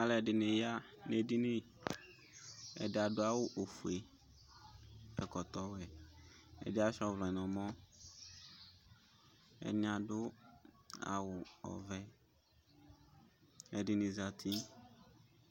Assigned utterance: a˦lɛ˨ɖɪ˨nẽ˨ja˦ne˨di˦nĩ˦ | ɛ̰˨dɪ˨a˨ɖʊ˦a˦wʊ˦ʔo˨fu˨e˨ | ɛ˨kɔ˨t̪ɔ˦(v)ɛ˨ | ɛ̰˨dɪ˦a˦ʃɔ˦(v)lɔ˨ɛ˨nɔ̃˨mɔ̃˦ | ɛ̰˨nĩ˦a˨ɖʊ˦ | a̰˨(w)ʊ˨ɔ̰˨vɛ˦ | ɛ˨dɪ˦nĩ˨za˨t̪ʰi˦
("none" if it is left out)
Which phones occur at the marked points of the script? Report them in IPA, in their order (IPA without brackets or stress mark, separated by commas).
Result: w, v, w